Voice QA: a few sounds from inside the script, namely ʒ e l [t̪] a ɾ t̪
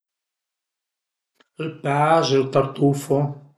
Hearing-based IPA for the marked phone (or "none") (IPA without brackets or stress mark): t̪